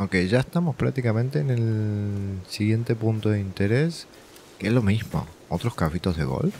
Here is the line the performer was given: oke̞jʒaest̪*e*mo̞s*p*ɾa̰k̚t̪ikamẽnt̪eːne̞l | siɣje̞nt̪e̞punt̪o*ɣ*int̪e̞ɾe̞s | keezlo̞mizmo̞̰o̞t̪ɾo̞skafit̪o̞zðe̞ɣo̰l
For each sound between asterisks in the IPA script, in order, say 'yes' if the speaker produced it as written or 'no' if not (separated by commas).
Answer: no, yes, no